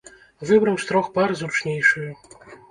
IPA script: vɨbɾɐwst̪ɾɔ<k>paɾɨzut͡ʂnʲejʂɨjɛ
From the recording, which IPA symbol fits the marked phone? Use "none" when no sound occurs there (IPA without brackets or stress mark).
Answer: x